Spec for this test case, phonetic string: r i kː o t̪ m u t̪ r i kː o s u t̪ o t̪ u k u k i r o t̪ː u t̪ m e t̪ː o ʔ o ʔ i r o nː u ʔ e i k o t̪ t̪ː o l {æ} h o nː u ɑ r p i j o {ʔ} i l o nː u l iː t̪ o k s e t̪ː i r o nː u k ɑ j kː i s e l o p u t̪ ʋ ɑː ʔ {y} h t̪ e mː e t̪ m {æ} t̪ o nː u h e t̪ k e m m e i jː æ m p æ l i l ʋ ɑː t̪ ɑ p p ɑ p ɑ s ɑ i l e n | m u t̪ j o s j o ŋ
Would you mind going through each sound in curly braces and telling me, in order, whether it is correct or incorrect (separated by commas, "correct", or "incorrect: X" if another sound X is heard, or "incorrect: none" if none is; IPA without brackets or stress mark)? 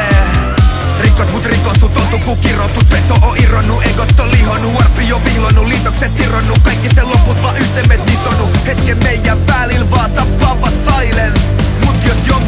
incorrect: i, incorrect: p, correct, incorrect: i